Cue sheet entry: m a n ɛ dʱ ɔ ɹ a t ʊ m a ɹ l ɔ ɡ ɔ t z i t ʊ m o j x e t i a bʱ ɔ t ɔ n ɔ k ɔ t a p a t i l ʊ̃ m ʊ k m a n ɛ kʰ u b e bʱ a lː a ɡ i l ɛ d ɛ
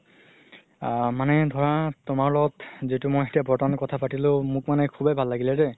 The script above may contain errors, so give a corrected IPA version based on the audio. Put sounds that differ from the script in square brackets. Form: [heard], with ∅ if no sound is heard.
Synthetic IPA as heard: m a n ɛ dʱ ɔ ɹ a t ʊ m a ɹ l ɔ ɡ ɔ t z i t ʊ m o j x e t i a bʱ ɔ t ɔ n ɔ k ɔ [tʰ] a p a t i l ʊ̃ m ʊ k m a n ɛ kʰ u b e bʱ a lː a ɡ i l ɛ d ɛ